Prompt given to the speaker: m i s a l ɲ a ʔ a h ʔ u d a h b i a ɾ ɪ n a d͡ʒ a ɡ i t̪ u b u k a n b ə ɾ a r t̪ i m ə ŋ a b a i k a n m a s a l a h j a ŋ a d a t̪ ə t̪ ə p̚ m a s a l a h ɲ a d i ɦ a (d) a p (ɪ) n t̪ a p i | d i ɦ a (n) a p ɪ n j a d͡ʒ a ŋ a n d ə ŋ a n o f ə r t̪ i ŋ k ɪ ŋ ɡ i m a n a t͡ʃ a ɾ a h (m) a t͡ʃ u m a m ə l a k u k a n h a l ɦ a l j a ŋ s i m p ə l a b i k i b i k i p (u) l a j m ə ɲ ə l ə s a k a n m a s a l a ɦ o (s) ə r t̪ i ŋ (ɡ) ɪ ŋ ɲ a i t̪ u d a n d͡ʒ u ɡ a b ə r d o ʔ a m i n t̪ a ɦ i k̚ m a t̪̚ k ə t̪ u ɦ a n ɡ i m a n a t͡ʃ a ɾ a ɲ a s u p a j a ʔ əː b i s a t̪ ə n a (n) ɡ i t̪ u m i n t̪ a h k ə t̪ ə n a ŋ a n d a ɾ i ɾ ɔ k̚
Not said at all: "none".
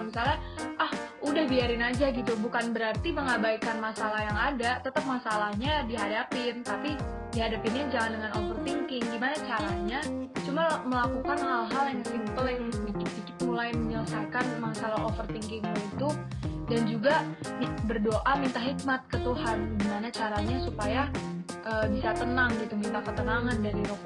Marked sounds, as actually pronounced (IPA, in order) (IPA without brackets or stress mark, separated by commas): d, ɪ, d, ɲ, u, f, k, ŋ